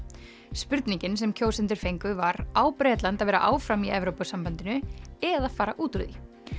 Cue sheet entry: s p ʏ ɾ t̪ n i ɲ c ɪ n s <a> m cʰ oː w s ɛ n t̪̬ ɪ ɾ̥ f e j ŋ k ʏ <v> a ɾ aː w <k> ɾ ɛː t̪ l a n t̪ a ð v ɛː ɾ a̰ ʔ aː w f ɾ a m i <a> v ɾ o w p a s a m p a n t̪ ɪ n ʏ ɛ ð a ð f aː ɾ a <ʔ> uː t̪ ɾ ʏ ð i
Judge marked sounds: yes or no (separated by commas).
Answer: no, yes, no, no, yes